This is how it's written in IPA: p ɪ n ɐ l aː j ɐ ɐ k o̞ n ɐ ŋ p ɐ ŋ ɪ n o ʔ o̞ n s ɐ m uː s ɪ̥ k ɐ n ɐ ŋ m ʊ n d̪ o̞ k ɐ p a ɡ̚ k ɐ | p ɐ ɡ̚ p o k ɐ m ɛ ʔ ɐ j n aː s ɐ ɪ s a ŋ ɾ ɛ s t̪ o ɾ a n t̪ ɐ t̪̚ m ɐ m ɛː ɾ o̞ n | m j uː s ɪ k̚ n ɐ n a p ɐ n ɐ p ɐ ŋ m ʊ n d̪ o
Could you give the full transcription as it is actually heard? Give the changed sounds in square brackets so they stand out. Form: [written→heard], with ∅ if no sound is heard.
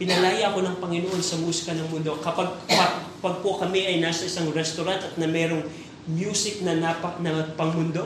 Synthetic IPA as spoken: p ɪ n ɐ l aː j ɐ ɐ k o̞ n ɐ ŋ p ɐ ŋ ɪ n o ʔ o̞ n s ɐ m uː s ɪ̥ k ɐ n ɐ ŋ m ʊ n d̪ o̞ k ɐ p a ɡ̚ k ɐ | p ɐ ɡ̚ p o k ɐ m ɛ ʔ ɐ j n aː s ɐ ɪ s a ŋ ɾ ɛ s t̪ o ɾ a n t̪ ɐ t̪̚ [m→n] ɐ m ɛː ɾ o̞ [n→ŋ] | m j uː s ɪ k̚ n ɐ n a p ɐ n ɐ p ɐ ŋ m ʊ n d̪ o